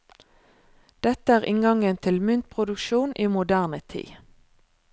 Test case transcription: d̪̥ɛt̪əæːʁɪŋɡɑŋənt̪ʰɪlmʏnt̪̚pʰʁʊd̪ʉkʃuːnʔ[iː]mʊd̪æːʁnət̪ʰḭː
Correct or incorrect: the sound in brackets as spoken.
correct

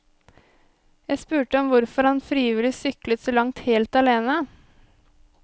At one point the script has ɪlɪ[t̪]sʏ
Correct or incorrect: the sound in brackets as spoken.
incorrect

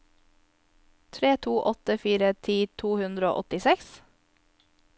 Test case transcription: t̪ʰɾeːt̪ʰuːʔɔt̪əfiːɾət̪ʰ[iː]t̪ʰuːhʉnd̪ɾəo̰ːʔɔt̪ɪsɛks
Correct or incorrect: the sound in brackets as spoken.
correct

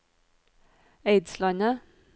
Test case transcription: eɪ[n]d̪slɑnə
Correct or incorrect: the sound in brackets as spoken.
incorrect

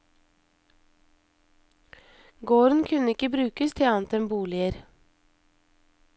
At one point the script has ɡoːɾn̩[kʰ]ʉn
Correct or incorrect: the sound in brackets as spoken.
correct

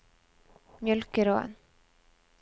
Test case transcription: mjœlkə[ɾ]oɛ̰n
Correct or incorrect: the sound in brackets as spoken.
correct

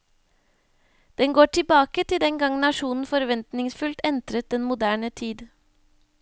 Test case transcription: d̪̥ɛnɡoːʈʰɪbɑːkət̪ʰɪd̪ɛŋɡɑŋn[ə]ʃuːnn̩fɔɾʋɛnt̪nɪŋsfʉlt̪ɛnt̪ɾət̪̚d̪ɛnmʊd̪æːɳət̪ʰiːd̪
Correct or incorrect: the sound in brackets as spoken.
incorrect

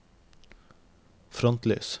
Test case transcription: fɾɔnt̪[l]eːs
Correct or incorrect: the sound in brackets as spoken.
correct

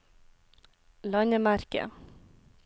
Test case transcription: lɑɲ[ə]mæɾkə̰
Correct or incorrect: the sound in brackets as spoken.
correct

